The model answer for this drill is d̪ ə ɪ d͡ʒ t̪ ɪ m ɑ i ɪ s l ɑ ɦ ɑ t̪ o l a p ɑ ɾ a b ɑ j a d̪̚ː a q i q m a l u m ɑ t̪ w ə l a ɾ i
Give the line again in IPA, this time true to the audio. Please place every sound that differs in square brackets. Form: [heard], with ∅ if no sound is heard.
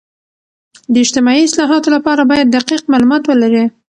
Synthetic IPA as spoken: d̪ ə ɪ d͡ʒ t̪ ɪ m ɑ i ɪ s l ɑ ɦ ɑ t̪ o l a p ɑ ɾ a b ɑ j a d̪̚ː a q i q m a l u m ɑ t̪ w ə l a ɾ i

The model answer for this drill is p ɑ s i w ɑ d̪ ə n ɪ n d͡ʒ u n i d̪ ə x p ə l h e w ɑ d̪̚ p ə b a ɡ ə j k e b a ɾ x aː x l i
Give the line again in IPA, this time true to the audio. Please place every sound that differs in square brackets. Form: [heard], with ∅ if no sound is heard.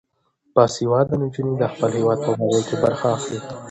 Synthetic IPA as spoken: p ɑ s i w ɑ d̪ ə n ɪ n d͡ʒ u n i d̪ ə x p ə l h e w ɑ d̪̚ p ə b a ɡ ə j k e b a ɾ x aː x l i

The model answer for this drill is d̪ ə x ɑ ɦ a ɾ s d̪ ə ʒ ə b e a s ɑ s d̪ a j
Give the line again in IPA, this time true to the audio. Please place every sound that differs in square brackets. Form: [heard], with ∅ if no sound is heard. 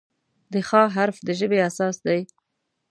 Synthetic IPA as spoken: d̪ ə x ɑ ɦ a ɾ [f] d̪ ə ʒ ə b e a s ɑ s d̪ a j

